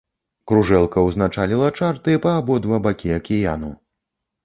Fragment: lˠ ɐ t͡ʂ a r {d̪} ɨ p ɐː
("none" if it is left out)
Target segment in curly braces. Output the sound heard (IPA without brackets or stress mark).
t̪